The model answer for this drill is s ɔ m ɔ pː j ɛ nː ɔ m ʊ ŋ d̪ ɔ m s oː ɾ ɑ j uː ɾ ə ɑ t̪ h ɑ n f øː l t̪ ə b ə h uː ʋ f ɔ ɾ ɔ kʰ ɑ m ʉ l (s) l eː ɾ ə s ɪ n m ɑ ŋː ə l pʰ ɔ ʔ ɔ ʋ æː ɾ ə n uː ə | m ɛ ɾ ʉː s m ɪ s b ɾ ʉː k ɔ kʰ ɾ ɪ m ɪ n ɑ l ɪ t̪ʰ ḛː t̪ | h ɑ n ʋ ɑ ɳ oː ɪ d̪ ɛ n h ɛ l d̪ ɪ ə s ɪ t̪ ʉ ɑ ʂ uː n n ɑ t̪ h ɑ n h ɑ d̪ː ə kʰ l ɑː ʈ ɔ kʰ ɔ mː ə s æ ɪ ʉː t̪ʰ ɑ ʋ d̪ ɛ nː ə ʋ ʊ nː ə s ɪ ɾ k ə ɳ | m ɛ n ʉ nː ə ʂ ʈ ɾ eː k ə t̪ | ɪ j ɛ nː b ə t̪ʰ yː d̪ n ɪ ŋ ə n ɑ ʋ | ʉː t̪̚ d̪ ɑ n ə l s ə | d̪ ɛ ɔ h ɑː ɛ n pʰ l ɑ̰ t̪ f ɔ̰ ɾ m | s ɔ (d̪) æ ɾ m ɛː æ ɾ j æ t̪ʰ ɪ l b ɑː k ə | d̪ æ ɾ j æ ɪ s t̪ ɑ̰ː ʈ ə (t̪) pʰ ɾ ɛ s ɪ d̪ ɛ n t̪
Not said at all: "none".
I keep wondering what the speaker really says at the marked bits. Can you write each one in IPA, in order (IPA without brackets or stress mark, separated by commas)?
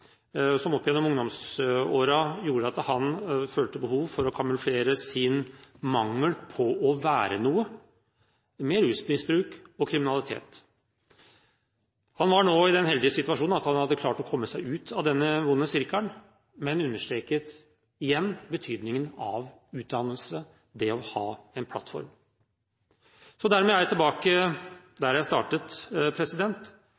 f, d̪, t̪